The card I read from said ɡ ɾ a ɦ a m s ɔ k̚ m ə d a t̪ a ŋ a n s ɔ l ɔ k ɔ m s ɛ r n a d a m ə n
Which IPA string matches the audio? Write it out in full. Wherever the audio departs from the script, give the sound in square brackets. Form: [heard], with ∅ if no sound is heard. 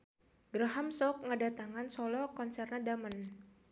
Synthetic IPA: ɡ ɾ a ɦ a m s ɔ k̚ [ŋ] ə d a t̪ a ŋ a n s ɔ l ɔ k ɔ [n] s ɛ r n a d a m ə n